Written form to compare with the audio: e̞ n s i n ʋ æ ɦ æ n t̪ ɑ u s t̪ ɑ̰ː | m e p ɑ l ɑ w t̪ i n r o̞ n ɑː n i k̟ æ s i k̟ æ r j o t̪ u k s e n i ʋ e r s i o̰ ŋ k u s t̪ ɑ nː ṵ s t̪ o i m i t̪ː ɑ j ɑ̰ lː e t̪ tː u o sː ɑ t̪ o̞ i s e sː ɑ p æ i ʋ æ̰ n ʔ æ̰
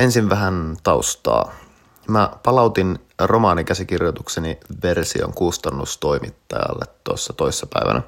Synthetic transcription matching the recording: e̞ n s i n ʋ æ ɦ æ n t̪ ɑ u s t̪ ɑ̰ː | m æ p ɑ l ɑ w t̪ i n r o̞ m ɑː n i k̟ æ s i k̟ i r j o t̪ u k s e n i ʋ e r s i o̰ ŋ k u s t̪ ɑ nː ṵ s t̪ o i m i t̪ː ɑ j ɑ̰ lː e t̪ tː u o sː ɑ t̪ o̞ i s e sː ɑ p æ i ʋ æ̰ n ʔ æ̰